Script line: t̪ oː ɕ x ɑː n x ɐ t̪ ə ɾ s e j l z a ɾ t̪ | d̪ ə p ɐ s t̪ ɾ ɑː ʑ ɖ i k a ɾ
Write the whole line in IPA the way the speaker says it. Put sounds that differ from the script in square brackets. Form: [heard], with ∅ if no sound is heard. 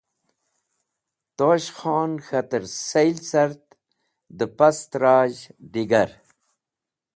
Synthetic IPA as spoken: t̪ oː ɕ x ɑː n x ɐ t̪ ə ɾ s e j l [s] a ɾ t̪ | d̪ ə p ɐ s t̪ ɾ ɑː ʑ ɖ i [ɡ] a ɾ